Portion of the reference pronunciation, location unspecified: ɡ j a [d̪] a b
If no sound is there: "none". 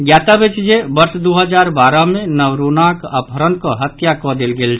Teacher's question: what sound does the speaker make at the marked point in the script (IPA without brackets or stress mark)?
t̪